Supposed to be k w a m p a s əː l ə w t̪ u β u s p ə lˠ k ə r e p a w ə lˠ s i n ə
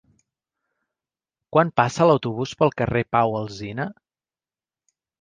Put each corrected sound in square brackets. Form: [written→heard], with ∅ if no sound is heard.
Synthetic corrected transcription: k w a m p a s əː l ə w t̪ u β u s p ə lˠ k ə r e p a w ə lˠ [s→z] i n ə